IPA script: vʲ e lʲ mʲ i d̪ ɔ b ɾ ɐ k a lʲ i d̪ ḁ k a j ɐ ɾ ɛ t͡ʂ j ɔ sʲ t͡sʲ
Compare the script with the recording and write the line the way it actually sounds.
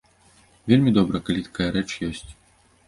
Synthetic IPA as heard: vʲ e lʲ mʲ i d̪ ɔ b ɾ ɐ k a lʲ i t̪ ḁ k a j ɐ ɾ ɛ t͡ʂ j ɔ sʲ t͡sʲ